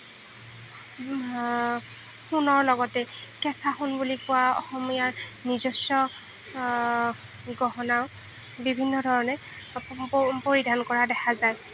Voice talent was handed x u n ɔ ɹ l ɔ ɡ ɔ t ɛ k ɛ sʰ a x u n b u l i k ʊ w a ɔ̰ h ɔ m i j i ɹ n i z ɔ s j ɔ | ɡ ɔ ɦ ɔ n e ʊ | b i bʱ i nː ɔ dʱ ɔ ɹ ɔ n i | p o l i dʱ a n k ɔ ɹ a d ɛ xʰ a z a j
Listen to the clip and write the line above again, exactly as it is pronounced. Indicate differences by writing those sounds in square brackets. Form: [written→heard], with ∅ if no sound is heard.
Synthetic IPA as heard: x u n ɔ ɹ l ɔ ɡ ɔ t ɛ k ɛ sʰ a x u n b u l i k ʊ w a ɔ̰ [h→x] ɔ m i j [i→a] ɹ n i z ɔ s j ɔ | ɡ ɔ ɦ ɔ n [e→a] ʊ | b i bʱ i nː ɔ dʱ ɔ ɹ ɔ n [i→ɛ] | p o [l→ɹ] i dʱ a n k ɔ ɹ a d ɛ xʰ a z a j